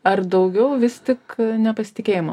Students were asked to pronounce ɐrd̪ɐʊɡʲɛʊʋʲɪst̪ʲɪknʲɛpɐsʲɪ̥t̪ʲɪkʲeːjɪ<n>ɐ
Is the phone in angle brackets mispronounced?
yes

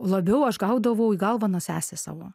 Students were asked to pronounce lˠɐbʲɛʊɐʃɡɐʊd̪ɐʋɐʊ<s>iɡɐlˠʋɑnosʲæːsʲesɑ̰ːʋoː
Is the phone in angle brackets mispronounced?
yes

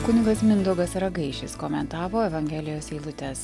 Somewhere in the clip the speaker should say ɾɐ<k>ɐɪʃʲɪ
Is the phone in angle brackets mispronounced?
yes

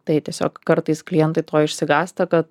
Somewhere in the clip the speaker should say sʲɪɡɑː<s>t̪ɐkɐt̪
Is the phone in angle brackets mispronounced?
no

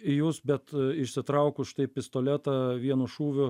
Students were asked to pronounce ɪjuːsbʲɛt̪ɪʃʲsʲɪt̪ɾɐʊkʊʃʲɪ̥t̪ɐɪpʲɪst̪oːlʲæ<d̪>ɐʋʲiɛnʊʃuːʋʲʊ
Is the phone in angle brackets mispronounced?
yes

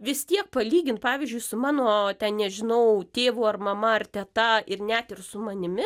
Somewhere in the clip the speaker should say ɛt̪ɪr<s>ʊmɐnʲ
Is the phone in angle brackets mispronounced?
no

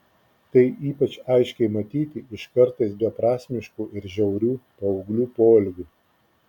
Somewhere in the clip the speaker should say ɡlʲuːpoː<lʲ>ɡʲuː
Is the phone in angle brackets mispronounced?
no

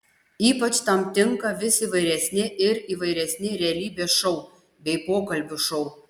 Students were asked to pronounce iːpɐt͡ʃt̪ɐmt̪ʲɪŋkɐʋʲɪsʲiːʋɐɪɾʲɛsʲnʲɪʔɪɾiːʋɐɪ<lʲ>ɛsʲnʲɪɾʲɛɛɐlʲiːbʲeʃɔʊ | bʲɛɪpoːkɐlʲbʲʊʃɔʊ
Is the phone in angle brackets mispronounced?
yes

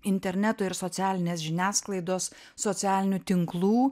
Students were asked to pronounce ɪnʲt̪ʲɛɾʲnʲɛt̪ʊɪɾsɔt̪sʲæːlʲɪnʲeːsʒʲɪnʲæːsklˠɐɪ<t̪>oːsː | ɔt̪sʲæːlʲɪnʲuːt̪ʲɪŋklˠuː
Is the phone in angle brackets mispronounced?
yes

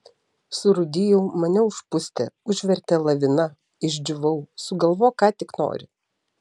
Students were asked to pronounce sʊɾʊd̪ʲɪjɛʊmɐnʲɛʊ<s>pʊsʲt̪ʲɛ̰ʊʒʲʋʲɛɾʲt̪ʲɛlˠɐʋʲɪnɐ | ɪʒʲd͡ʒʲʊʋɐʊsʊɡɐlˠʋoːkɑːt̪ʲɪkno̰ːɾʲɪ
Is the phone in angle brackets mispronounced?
yes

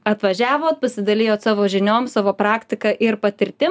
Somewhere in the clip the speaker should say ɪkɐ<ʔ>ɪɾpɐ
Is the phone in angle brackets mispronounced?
no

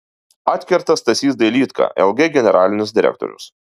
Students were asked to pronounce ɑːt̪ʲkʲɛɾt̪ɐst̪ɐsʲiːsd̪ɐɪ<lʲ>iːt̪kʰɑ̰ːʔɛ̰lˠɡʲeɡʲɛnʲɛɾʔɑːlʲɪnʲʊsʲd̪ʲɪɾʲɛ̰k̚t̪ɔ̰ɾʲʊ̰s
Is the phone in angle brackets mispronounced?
no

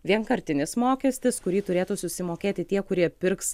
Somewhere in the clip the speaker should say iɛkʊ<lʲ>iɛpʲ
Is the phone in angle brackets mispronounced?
yes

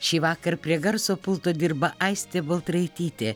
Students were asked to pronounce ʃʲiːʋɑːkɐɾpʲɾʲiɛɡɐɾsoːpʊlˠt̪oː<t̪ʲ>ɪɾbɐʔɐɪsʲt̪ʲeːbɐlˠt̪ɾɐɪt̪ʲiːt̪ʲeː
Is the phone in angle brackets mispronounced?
yes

